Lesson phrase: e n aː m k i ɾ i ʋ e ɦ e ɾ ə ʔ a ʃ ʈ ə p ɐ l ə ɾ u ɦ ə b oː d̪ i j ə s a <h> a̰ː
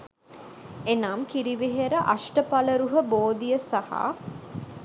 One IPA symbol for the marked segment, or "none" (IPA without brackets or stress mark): h